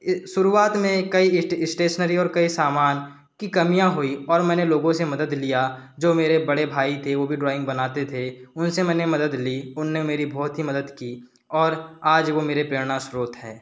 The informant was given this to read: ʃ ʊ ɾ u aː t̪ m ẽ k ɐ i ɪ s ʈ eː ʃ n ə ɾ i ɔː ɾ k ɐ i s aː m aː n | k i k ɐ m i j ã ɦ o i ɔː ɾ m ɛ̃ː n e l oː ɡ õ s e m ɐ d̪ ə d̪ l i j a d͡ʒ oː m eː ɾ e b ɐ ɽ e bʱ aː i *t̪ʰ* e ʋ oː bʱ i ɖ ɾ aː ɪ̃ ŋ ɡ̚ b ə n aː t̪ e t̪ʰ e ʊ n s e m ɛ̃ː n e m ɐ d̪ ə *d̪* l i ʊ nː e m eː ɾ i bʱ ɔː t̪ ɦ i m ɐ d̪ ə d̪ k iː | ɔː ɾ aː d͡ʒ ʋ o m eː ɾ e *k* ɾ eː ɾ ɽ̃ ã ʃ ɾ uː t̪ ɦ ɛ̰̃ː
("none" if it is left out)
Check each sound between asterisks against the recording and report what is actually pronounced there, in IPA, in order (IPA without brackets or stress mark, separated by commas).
t̪ʰ, d̪, p